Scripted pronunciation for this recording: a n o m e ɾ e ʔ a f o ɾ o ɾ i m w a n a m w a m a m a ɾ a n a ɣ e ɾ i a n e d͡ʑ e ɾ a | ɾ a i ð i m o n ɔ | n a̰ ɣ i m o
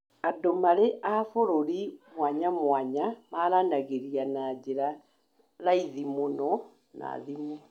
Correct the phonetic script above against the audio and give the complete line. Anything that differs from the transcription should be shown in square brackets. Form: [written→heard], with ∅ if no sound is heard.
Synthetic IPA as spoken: a [n→d] o m [e→a] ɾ e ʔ a f o ɾ o ɾ i m w a [n→ɲ] a m w a [m→ɲ] a m a ɾ a n a ɣ e ɾ i a n [e→a] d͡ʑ e ɾ a | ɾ a i ð i m o n ɔ | n a̰ [ɣ→ð] i m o